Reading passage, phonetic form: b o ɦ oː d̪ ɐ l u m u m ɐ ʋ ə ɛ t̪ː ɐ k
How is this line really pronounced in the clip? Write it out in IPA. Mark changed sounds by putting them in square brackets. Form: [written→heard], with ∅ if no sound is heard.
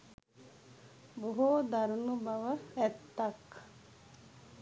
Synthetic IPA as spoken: b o ɦ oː d̪ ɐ [l→ɾ] u [m→n] u [m→b] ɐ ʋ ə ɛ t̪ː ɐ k